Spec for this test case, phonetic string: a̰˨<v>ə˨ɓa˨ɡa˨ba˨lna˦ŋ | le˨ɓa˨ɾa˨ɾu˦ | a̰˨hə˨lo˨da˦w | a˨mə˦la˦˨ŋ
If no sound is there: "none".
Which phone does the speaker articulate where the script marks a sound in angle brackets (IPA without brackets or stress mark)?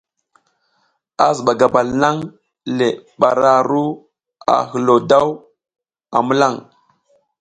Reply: z